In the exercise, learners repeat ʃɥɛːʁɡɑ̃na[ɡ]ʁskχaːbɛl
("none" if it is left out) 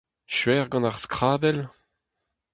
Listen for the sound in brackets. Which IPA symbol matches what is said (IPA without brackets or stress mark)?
none